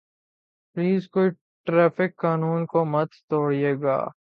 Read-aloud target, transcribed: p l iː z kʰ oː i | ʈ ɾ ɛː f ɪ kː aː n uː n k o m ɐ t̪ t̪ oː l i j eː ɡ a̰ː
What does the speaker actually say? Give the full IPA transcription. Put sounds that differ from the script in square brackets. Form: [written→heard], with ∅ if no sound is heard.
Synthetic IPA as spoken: p l iː z [kʰ→k] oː i | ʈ ɾ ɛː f ɪ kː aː n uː n k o m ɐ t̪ t̪ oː [l→ɽ] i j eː ɡ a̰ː